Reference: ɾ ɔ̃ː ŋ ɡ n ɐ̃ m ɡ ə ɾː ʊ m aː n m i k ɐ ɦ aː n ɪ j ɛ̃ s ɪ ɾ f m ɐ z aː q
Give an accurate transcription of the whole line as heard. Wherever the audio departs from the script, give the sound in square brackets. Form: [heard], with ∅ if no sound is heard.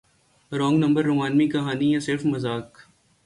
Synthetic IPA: ɾ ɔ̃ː ŋ ɡ n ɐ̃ m [b] ə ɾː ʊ m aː n m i k ɐ ɦ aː n [i] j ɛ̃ s ɪ ɾ f m ɐ z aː [k]